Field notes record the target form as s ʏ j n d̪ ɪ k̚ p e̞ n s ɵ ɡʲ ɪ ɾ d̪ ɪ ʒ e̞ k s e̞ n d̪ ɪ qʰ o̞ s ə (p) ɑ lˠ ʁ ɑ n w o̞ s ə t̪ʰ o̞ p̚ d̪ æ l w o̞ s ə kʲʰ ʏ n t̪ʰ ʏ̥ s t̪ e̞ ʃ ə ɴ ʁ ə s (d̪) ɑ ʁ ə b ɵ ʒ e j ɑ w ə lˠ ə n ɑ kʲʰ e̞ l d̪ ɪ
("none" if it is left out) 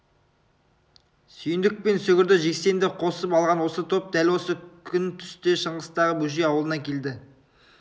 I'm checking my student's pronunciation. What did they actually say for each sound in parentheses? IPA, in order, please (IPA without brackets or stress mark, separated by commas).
p, t̪